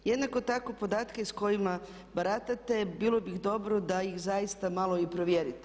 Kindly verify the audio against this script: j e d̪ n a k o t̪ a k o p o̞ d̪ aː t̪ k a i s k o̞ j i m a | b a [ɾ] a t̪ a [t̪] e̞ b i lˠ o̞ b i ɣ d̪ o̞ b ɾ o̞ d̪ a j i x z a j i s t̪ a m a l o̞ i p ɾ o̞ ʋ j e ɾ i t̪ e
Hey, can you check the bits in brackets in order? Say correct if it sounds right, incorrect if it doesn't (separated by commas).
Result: correct, correct